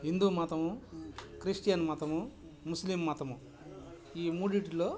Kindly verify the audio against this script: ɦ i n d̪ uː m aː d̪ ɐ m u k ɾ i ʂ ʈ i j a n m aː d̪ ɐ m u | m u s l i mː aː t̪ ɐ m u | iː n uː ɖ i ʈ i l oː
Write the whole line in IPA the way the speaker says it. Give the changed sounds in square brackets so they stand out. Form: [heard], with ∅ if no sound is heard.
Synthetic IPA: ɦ i n d̪ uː m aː [t̪] ɐ m u k ɾ i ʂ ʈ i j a n m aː [t̪] ɐ m u | m u s l i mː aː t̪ ɐ m u | iː [m] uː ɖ i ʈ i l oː